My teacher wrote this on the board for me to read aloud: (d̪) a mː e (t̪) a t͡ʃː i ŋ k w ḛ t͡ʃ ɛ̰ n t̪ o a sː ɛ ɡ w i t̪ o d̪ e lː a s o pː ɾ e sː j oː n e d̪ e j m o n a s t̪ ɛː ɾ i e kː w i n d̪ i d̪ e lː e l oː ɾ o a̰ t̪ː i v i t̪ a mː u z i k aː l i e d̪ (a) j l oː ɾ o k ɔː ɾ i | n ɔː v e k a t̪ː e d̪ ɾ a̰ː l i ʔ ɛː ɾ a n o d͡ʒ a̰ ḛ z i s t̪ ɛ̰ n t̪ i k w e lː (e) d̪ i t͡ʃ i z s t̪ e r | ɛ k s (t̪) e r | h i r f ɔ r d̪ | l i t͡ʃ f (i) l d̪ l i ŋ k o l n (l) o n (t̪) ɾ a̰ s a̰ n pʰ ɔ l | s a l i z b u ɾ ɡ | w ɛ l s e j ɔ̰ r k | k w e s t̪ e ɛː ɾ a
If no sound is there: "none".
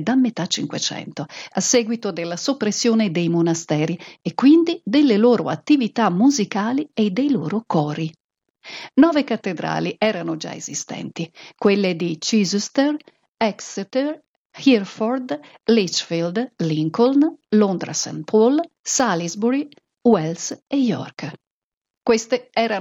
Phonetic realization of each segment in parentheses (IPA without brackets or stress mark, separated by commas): d̪, t̪, e, e, t̪, i, l, d̪